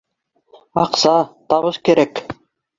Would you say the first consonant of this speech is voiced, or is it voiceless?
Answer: voiceless